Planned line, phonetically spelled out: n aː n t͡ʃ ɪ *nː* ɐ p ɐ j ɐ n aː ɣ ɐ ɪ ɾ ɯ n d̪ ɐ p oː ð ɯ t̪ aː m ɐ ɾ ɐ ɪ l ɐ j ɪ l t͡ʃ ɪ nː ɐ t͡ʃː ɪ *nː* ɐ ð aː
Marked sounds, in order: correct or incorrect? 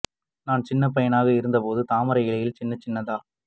correct, correct

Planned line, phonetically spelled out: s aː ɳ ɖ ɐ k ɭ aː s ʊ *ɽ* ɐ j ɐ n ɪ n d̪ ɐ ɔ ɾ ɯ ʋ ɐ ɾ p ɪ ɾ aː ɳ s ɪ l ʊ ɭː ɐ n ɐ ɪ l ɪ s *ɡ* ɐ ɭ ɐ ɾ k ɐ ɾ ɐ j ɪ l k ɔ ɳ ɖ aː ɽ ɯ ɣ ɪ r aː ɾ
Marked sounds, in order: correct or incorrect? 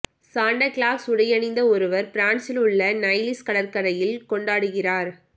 correct, incorrect: k

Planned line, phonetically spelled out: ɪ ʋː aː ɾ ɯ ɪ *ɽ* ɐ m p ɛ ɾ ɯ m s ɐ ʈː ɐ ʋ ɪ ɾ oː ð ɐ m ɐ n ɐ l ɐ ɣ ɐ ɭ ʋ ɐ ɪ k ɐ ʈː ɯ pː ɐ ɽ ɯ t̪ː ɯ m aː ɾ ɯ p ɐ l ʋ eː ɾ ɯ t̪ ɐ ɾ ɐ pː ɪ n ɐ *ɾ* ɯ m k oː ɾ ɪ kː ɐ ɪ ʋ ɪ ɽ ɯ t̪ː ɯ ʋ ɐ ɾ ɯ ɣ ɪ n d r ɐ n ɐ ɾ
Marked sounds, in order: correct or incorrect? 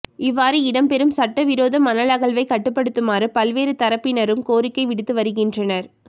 correct, correct

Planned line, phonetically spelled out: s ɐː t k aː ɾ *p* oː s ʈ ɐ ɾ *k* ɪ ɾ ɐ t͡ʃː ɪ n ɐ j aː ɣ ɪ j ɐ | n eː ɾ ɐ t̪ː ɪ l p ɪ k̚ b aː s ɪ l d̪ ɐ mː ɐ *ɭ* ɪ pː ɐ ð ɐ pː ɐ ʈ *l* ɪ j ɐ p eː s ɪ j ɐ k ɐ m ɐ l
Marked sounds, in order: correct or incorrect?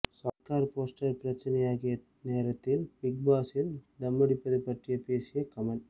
correct, incorrect: p, incorrect: ɽ, incorrect: r

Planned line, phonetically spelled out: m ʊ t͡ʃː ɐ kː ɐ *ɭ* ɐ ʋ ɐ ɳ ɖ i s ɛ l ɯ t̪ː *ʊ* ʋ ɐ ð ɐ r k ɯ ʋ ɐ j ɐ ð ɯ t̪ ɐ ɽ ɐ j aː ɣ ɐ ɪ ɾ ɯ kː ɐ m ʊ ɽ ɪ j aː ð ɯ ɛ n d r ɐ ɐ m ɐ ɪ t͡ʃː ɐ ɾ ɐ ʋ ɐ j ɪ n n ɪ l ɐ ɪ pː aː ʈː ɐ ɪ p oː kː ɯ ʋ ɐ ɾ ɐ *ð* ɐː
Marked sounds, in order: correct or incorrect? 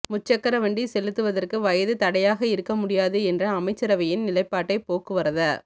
incorrect: ɾ, incorrect: ɯ, correct

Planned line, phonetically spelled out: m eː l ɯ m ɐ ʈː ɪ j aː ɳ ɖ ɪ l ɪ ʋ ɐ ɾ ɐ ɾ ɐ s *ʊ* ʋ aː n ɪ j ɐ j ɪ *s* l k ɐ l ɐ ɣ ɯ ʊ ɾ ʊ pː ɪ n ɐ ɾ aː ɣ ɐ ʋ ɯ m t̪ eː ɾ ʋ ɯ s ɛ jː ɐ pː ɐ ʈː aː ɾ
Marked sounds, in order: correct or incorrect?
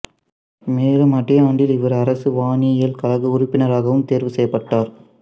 incorrect: ɯ, incorrect: none

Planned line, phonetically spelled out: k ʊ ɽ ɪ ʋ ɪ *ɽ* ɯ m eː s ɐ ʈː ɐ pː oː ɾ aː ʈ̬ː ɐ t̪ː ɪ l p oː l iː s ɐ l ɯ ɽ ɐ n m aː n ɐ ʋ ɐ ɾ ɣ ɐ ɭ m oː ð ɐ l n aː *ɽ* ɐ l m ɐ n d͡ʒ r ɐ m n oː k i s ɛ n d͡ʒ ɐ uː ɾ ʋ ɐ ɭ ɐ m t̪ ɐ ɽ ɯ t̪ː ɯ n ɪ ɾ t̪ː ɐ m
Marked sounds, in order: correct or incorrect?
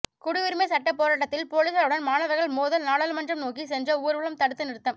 incorrect: ɾ, correct

